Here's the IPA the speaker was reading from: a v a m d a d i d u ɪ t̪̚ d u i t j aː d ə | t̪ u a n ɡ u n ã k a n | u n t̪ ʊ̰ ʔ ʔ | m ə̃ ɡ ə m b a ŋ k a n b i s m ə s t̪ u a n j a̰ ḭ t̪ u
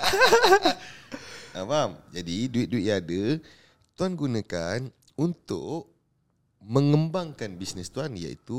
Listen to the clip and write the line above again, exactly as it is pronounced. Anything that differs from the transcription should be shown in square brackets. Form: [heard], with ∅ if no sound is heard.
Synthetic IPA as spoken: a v a m [d͡ʒ] a d i d u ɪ t̪̚ d u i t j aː d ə | t̪ u a n ɡ u n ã k a n | u n t̪ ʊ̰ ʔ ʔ | m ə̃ [ŋ] ə m b a ŋ k a n b i s [n] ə s t̪ u a n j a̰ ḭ t̪ u